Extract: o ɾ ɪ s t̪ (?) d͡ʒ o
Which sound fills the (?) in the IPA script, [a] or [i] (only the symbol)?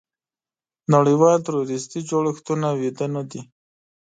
i